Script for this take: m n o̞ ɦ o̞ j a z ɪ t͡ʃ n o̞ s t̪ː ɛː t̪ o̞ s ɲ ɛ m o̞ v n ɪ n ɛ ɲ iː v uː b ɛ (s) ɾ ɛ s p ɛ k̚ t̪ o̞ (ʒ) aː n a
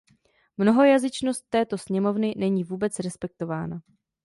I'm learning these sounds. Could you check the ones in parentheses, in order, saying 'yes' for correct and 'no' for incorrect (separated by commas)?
no, no